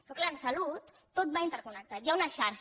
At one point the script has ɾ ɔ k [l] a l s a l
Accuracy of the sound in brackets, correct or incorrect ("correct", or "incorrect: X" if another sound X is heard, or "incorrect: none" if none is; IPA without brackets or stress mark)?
correct